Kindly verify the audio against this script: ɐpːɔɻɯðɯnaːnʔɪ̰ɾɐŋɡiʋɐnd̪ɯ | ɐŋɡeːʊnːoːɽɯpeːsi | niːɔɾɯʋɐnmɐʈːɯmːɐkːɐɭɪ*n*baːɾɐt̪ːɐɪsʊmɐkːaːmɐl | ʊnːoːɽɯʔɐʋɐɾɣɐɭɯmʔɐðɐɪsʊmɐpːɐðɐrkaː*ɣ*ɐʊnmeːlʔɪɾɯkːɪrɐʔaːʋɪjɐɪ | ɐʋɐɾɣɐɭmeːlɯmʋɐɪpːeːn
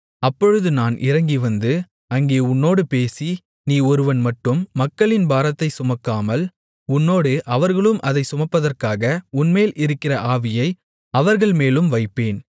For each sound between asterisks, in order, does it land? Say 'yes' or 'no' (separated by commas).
yes, yes